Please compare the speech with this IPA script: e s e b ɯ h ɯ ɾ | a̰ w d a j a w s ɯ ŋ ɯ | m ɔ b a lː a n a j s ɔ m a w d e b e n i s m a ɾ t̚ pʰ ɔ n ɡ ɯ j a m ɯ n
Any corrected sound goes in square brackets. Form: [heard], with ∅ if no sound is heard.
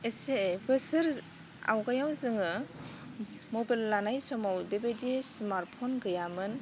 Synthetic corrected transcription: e s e b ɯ [s] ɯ ɾ | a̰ w [ɡ] a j a w [z] ɯ ŋ ɯ | m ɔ b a lː a n a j s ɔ m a w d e b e [d] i s m a ɾ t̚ pʰ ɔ n ɡ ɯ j a m ɯ n